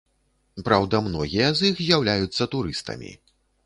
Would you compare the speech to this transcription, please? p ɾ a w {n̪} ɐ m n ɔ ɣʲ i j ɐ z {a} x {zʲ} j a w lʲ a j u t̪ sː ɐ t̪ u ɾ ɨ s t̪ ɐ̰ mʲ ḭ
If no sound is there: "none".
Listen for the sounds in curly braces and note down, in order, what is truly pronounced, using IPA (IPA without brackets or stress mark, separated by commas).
d̪, i, zʲ